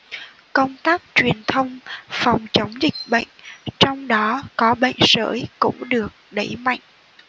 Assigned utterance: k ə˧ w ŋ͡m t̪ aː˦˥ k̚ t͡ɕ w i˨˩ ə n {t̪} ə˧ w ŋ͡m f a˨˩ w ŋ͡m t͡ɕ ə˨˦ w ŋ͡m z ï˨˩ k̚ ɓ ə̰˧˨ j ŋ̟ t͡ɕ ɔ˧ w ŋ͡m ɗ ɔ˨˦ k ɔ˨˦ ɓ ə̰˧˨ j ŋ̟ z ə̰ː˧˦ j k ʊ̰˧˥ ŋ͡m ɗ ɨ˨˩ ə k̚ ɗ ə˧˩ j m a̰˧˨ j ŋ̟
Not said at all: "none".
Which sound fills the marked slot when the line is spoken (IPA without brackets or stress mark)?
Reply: t̪ʰ